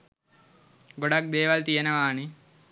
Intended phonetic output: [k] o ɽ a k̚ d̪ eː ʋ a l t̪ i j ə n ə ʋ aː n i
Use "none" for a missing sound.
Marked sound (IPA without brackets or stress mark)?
ɡ